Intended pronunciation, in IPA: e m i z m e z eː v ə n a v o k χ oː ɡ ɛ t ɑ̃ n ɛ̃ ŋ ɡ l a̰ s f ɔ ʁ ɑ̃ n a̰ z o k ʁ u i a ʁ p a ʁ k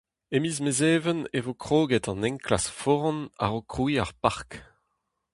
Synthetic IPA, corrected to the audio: e m i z m e z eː v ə n e v o k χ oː ɡ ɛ t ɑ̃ n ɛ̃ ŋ k l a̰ s f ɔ ʁ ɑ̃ n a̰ ʁ o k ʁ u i a ʁ p a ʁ k